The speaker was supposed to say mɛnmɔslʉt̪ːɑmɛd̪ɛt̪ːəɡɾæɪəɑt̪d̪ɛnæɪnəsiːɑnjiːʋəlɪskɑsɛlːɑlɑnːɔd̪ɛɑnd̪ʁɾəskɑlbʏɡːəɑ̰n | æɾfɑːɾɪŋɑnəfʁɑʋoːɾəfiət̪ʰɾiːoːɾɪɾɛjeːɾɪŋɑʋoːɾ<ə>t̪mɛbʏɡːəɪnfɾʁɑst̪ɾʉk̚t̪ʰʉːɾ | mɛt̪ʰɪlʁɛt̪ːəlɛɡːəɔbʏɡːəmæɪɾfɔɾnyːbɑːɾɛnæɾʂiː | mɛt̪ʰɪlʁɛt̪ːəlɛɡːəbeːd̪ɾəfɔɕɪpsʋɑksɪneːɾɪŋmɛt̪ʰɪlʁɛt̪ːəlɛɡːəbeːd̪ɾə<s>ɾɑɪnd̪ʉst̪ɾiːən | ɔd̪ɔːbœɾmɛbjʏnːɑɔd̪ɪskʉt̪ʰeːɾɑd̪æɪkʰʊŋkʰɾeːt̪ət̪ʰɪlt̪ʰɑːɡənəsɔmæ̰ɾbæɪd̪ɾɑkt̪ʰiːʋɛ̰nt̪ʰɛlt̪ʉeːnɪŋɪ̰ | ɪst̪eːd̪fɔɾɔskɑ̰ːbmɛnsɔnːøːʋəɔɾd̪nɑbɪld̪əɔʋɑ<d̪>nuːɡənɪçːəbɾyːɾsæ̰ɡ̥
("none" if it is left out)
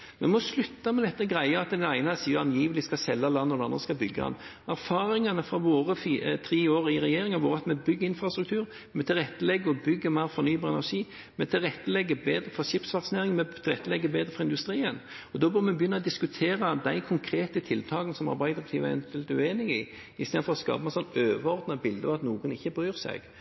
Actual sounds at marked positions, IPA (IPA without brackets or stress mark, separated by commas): ɑ, f, t̪